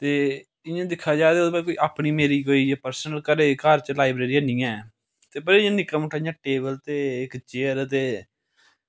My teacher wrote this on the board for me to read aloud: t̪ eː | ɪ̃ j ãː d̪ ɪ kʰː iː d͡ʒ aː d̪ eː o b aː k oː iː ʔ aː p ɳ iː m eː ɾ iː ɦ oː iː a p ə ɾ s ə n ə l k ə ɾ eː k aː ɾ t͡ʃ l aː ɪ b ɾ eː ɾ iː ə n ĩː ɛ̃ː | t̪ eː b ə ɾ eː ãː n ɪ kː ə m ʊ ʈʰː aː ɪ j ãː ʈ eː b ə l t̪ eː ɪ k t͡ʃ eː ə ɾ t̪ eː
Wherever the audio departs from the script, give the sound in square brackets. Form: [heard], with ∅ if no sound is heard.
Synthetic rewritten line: t̪ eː | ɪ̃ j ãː d̪ ɪ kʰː [aː] d͡ʒ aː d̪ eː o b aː k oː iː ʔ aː p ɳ iː m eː ɾ iː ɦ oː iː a p ə ɾ s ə n ə l k ə ɾ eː k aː ɾ t͡ʃ l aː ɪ b ɾ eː ɾ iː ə n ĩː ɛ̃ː | t̪ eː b ə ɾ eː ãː n ɪ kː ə m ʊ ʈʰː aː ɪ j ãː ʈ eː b ə l t̪ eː ɪ k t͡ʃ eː ə ɾ t̪ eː